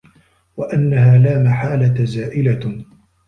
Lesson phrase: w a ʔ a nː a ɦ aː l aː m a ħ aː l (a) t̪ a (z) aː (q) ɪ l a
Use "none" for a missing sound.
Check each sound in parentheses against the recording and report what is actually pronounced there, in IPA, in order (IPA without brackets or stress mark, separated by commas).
a, z, ʔ